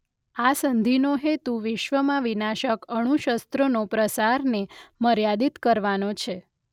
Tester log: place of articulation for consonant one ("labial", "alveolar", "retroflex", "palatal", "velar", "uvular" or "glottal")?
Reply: alveolar